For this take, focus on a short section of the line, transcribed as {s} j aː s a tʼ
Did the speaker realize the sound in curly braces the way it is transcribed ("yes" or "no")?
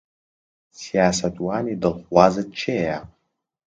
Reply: yes